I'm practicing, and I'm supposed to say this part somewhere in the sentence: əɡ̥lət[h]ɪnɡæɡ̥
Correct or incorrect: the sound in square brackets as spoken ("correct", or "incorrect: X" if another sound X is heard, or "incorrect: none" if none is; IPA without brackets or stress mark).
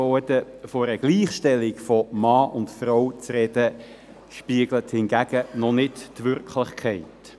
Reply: correct